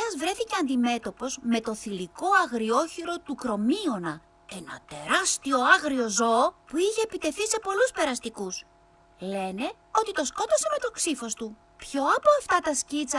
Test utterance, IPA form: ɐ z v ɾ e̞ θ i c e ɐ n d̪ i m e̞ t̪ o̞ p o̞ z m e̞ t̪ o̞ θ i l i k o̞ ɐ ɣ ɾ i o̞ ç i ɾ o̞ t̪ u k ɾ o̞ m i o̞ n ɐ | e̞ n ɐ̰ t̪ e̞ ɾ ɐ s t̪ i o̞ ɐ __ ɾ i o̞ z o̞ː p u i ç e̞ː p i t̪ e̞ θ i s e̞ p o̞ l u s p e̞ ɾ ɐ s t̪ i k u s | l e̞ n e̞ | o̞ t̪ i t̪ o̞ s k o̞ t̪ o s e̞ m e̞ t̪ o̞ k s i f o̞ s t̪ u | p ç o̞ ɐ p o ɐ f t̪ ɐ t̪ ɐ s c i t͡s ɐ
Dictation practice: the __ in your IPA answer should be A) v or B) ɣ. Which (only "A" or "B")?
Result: B